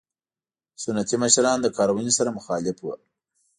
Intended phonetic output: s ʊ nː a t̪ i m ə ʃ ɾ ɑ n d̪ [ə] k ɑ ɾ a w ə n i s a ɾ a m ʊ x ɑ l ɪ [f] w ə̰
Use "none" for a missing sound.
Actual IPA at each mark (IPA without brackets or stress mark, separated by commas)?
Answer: ə, f